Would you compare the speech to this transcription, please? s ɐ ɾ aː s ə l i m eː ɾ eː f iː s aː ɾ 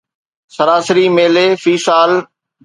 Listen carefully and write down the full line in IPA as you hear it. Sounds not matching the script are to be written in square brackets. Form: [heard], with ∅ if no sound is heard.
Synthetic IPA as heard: s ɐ ɾ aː s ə [ɾ] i m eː [l] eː f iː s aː [l]

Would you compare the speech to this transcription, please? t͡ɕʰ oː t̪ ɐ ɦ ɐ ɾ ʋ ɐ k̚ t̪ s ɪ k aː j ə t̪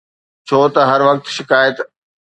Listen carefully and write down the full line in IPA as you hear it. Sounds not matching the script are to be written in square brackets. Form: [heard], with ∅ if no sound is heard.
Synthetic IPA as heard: t͡ɕʰ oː t̪ ɐ ɦ ɐ ɾ ʋ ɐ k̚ t̪ [ʃ] ɪ k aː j ə t̪

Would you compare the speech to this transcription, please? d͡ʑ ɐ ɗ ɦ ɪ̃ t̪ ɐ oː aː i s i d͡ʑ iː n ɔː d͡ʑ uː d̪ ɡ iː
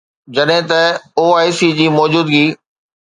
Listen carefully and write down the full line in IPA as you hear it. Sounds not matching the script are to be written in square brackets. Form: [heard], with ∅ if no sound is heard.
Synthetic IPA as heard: d͡ʑ ɐ ɗ ɦ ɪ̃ t̪ ɐ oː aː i s i d͡ʑ iː [m] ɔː d͡ʑ uː d̪ ɡ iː

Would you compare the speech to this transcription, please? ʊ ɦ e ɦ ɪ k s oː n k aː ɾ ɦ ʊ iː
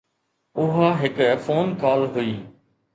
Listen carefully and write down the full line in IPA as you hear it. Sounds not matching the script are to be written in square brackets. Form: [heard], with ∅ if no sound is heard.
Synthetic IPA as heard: ʊ ɦ [a] ɦ ɪ k [f] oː n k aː [l] ɦ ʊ iː

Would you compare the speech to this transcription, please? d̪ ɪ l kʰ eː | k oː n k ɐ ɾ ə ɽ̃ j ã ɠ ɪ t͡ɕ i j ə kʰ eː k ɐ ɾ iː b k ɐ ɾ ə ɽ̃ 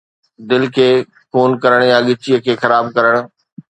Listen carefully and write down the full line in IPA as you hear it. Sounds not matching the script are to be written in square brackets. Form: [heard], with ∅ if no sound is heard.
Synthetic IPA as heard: d̪ ɪ l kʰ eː | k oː n k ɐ ɾ ə ɽ̃ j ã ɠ ɪ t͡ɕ i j ə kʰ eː [x] ɐ ɾ [aː] b k ɐ ɾ ə ɽ̃

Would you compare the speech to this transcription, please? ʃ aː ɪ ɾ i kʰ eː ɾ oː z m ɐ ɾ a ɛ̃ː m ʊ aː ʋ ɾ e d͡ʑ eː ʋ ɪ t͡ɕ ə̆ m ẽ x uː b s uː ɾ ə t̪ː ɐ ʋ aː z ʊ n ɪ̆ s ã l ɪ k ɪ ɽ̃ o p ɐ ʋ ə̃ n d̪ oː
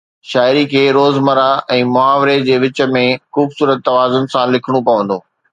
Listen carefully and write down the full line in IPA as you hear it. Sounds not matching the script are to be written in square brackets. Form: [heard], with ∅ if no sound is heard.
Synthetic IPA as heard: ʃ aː ɪ ɾ i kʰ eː ɾ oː z m ɐ ɾ a ɛ̃ː m ʊ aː ʋ ɾ e d͡ʑ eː ʋ ɪ t͡ɕ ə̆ m ẽ x uː b s uː ɾ ə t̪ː ɐ ʋ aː z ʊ n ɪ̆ s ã l ɪ [kʰ] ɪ ɽ̃ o p ɐ ʋ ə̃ n d̪ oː

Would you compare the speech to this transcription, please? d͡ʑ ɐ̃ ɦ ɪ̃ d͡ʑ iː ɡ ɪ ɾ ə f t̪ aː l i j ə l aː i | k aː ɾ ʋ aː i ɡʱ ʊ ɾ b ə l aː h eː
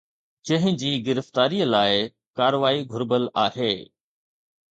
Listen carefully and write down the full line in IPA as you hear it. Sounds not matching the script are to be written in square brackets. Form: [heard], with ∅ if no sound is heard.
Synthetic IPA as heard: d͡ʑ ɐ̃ ɦ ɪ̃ d͡ʑ iː ɡ ɪ ɾ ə f t̪ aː [ɾ] i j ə l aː [ɪ] | k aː ɾ ʋ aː i ɡʱ ʊ ɾ b ə l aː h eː

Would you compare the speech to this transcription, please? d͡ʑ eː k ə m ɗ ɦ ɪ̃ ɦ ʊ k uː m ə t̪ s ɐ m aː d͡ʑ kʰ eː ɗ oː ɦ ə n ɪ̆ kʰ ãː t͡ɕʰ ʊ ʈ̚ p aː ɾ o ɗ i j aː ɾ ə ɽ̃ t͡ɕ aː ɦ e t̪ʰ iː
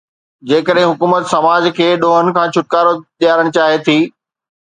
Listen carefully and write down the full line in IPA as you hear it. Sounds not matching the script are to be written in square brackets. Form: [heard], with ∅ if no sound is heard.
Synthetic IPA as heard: d͡ʑ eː k ə [∅] ɗ ɦ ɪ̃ ɦ ʊ k uː m ə t̪ s ɐ m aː d͡ʑ kʰ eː ɗ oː ɦ ə n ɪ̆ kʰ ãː t͡ɕʰ ʊ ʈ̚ [k] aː ɾ o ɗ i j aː ɾ ə ɽ̃ t͡ɕ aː ɦ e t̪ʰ iː

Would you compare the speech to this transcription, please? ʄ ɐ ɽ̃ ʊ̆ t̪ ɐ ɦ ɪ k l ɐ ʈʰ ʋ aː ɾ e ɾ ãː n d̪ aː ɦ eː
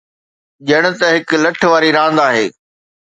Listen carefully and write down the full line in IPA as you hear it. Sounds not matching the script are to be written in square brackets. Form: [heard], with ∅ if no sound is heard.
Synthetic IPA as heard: ʄ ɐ ɽ̃ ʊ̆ t̪ ɐ ɦ ɪ k l ɐ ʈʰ ʋ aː ɾ [i] ɾ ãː n d̪ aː ɦ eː

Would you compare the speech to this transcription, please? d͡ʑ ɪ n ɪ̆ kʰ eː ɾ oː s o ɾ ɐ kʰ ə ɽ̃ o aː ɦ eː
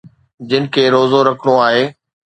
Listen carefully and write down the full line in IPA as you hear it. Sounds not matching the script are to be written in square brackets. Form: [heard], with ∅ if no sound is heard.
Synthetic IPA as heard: d͡ʑ ɪ n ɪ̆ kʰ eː ɾ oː [z] o ɾ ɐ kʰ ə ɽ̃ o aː ɦ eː

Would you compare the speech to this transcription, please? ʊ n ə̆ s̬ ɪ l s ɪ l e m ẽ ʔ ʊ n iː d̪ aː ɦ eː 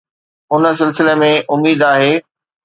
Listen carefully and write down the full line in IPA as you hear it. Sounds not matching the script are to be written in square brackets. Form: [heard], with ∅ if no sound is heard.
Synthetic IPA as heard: ʊ n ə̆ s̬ ɪ l s ɪ l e m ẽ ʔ ʊ [m] iː d̪ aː ɦ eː

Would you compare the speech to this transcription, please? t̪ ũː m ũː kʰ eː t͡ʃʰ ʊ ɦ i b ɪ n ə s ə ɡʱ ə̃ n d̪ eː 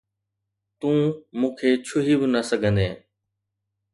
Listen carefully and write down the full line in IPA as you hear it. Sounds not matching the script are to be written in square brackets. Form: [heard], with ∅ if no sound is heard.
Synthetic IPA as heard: t̪ ũː m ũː kʰ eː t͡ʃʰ ʊ ɦ i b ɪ n ə s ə ɡʱ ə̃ n d̪ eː

